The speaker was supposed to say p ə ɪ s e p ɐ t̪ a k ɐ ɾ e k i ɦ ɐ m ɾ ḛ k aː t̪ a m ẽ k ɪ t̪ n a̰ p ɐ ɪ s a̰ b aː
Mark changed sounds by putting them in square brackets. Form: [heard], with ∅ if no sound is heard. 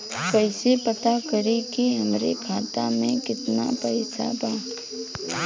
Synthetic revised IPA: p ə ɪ s e p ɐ t̪ a k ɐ ɾ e k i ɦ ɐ m ɾ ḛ [kʰ] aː t̪ a m ẽ k ɪ t̪ n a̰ p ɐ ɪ s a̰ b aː